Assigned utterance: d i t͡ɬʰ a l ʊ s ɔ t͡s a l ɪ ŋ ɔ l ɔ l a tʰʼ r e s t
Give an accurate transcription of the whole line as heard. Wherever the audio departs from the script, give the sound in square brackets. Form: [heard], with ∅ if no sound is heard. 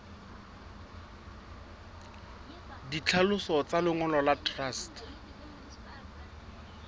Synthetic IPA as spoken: d i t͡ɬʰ a l ʊ s ɔ t͡s a l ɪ ŋ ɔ l ɔ l a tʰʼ r [a] s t